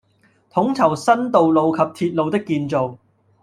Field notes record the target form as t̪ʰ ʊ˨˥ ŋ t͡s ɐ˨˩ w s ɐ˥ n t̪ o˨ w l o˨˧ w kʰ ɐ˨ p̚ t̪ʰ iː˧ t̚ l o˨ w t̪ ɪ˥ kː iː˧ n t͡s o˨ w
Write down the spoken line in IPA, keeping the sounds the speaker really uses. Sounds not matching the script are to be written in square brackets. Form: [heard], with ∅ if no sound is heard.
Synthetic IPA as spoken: t̪ʰ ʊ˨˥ ŋ [t͡sʰ] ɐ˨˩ w s ɐ˥ n t̪ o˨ w l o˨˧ w kʰ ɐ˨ p̚ t̪ʰ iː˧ t̚ l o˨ w t̪ ɪ˥ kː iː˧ n t͡s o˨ w